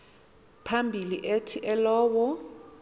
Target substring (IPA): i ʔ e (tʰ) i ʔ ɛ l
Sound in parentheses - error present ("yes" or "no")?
no